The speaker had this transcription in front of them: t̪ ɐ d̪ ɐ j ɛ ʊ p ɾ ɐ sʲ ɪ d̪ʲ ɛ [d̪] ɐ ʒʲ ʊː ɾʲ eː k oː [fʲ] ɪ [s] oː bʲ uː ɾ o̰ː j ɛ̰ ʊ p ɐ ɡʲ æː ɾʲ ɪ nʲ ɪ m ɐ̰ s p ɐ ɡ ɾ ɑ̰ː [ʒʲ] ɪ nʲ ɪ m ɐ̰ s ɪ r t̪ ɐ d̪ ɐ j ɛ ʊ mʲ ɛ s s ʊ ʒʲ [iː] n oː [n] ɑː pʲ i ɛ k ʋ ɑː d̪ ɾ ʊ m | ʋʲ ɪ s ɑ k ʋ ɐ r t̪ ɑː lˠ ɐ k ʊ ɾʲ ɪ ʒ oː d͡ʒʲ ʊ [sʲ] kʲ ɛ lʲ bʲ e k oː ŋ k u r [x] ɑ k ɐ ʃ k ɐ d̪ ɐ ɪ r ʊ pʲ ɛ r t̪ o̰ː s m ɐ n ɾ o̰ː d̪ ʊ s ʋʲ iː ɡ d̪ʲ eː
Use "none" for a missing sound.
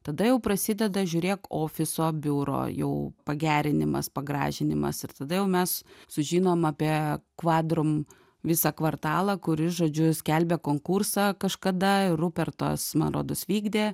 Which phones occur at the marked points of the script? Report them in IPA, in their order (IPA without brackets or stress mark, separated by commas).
d̪, fʲ, s, ʒʲ, iː, m, sʲ, s